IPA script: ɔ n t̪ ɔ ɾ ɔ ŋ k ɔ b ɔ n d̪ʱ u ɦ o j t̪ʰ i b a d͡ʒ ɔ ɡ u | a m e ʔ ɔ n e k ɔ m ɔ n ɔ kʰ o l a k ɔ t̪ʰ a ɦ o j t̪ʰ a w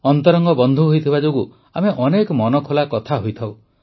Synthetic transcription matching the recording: ɔ n t̪ ɔ ɾ ɔ ŋ ɡ ɔ b ɔ n d̪ʱ u ɦ o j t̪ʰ i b a d͡ʒ o ɡ u | a m e ʔ ɔ n e k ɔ m ɔ n ɔ kʰ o l a k ɔ t̪ʰ a ɦ o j t̪ʰ a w